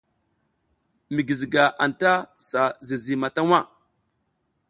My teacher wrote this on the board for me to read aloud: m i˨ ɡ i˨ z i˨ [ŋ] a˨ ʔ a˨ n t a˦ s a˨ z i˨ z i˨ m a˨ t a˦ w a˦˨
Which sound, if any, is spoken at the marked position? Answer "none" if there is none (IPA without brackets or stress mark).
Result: ɡ